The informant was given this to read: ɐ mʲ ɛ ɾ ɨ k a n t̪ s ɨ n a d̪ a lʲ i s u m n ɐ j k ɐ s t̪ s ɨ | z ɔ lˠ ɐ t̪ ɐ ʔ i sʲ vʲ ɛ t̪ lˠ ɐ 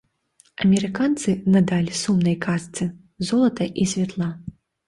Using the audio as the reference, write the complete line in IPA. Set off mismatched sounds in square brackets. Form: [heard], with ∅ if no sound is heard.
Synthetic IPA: ɐ mʲ ɛ ɾ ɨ k a n t̪ s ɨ n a d̪ a lʲ i s u m n ɐ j k [a] s t̪ s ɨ | z ɔ lˠ ɐ t̪ ɐ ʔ i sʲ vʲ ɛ t̪ lˠ [a]